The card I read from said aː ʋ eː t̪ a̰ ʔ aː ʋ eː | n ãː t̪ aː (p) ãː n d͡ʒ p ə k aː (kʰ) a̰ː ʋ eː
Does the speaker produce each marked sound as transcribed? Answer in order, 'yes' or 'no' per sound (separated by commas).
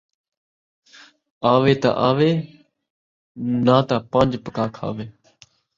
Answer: yes, yes